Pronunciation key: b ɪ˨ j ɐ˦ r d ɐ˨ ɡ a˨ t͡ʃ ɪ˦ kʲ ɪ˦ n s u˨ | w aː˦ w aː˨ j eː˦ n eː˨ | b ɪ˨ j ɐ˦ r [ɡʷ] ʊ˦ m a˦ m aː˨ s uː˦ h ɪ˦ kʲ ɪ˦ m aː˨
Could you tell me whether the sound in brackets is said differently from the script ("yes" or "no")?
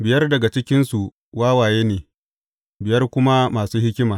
yes